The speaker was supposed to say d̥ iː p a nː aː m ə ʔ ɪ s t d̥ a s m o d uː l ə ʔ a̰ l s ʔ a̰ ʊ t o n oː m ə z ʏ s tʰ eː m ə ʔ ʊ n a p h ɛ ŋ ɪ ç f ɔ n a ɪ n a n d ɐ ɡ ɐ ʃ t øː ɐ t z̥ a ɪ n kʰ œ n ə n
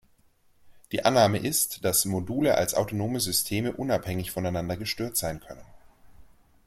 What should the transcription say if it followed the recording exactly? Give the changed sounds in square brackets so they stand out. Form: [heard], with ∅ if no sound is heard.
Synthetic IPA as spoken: d̥ iː [ʔ] a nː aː m ə ʔ ɪ s t d̥ a s m o d uː l ə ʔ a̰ l s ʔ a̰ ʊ t o n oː m ə z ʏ s tʰ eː m ə ʔ ʊ n a p h ɛ ŋ ɪ ç f ɔ n a ɪ n a n d ɐ ɡ [ə] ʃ t øː ɐ t z̥ a ɪ n kʰ œ n ə n

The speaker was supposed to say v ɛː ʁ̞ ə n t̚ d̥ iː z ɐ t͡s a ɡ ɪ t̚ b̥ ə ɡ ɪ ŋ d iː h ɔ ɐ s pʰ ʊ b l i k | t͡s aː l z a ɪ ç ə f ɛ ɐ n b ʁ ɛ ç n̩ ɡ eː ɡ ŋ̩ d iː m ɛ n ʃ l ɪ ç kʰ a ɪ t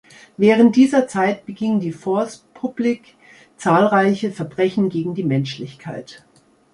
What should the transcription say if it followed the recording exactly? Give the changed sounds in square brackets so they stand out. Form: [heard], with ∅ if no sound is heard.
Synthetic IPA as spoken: v ɛː ʁ̞ ə n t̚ d̥ iː z ɐ t͡s a [∅] ɪ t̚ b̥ ə ɡ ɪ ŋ d iː [f] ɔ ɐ s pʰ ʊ b l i k | t͡s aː l [ʁ] a ɪ ç ə f ɛ ɐ [∅] b ʁ ɛ ç n̩ ɡ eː ɡ ŋ̩ d iː m ɛ n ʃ l ɪ ç kʰ a ɪ t

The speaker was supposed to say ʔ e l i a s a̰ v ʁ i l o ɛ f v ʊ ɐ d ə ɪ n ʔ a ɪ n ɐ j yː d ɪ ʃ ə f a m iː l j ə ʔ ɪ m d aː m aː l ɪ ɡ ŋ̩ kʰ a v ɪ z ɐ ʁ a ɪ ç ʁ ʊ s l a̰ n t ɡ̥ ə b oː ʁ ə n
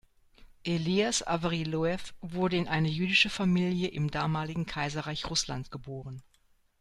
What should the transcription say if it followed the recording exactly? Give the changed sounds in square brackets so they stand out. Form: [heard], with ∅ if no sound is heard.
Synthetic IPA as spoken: ʔ e l i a s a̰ v ʁ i l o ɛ f v ʊ ɐ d ə ɪ n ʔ a ɪ n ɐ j yː d ɪ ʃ ə f a m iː l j ə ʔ ɪ m d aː m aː l ɪ ɡ ŋ̩ kʰ a [∅] ɪ z ɐ ʁ a ɪ ç ʁ ʊ s l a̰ n t ɡ̥ ə b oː ʁ ə n

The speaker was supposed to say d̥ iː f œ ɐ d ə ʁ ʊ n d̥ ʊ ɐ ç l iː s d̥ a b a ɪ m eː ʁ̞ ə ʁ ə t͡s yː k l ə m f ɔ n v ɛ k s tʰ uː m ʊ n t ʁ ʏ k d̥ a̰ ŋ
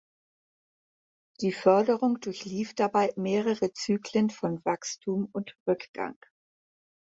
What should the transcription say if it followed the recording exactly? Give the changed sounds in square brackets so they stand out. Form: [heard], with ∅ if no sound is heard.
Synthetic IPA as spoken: d̥ iː f œ ɐ d ə ʁ ʊ [ŋ] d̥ ʊ ɐ ç l iː [f] d̥ a b a ɪ m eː ʁ̞ ə ʁ ə t͡s yː k l ə [n] f ɔ n v [a] k s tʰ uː m ʊ n t ʁ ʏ k [ɡ̥] a̰ ŋ

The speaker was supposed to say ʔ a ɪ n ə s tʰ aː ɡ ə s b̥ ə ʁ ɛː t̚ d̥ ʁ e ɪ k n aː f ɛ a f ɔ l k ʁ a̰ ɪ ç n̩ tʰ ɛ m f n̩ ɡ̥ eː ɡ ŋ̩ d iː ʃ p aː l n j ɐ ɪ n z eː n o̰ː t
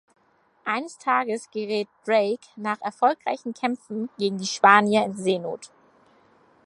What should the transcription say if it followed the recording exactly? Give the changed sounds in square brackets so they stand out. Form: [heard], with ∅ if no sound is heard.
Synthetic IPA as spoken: ʔ a ɪ n ə s tʰ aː ɡ ə s [ɡ̥] ə ʁ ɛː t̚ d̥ ʁ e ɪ k n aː [χ] ɛ [ɐ] f ɔ l k ʁ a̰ ɪ ç n̩ [kʰ] ɛ m f n̩ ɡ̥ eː ɡ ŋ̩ d iː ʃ p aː [∅] n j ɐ ɪ n z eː n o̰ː t

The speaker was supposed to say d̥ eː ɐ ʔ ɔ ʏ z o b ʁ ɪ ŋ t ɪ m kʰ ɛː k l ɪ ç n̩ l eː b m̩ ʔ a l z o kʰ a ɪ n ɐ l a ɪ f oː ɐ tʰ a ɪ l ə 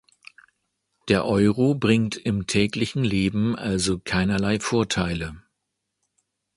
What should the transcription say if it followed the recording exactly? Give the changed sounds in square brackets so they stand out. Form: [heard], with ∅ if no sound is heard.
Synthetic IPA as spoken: d̥ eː ɐ ʔ ɔ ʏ [ʁ] o b ʁ ɪ ŋ t ɪ m [tʰ] ɛː k l ɪ ç n̩ l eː b m̩ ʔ a l z o kʰ a ɪ n ɐ l a ɪ f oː ɐ tʰ a ɪ l ə

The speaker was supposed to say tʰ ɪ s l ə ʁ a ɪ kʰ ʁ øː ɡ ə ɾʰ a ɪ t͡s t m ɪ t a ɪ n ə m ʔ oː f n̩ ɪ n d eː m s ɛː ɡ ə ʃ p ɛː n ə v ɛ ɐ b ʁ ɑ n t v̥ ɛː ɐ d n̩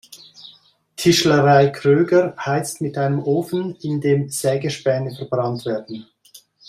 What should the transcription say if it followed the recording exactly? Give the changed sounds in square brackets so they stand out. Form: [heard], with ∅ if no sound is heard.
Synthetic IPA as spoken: tʰ ɪ [ʃ] l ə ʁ a ɪ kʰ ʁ øː ɡ ə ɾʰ a ɪ t͡s t m ɪ t a ɪ n ə m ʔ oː f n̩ ɪ n d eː m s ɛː ɡ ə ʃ p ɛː n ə [f] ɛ ɐ b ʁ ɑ n t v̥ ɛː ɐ d n̩

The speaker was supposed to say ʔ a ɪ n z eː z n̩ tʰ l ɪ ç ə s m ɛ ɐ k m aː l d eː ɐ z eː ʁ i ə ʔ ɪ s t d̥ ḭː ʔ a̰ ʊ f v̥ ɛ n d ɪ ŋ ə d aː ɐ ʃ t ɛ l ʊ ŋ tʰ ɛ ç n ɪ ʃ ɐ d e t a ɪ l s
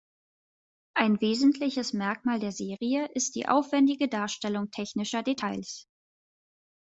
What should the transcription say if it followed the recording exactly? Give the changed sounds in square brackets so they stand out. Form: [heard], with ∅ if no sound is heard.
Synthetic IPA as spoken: ʔ a ɪ n [v] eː z n̩ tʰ l ɪ ç ə s m ɛ ɐ k m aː l d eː ɐ z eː ʁ i ə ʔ ɪ s t d̥ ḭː ʔ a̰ ʊ f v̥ ɛ n d ɪ [ɡ] ə d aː ɐ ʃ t ɛ l ʊ ŋ tʰ ɛ ç n ɪ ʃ ɐ d e [tʰ] a ɪ l s

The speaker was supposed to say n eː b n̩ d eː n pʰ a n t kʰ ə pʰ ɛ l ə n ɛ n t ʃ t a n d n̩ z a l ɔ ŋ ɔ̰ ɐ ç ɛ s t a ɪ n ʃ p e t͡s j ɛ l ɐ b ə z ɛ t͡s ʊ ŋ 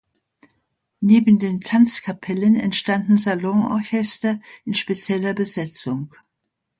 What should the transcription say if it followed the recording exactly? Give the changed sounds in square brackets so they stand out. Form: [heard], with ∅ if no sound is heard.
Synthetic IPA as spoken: n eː b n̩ d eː n [tʰ] a n [t͡s] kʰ [a] pʰ ɛ l ə n ɛ n t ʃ t a n d n̩ z a l ɔ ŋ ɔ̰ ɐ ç ɛ s t [ɐ] ɪ n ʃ p e t͡s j ɛ l ɐ b ə z ɛ t͡s ʊ ŋ

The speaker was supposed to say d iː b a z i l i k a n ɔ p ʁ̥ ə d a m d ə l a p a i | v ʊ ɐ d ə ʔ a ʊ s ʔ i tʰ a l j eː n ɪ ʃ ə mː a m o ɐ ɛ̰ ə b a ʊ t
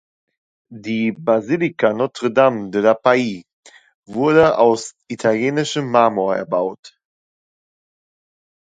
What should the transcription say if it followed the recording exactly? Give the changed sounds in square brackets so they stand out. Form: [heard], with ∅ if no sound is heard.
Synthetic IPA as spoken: d iː b a z i l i k a n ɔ [t] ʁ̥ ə d a m d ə l a p a i | v ʊ ɐ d ə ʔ a ʊ s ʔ i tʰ a l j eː n ɪ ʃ ə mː a m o ɐ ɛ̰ [ɐ] b a ʊ t

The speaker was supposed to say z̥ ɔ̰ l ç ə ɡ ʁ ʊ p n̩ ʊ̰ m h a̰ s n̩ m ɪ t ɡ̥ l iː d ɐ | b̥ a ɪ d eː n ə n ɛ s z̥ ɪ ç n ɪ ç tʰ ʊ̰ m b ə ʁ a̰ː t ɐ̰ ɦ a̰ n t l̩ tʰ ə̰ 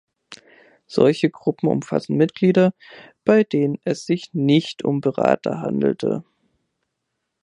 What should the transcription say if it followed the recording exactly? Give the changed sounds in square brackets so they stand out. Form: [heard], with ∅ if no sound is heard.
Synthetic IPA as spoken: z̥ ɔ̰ l ç ə ɡ ʁ ʊ p [m̩] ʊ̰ m [f] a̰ s n̩ m ɪ t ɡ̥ l iː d ɐ | b̥ a ɪ d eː n ə n ɛ s z̥ ɪ ç n ɪ ç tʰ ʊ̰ m b ə ʁ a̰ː t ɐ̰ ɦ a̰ n [d] l̩ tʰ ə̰

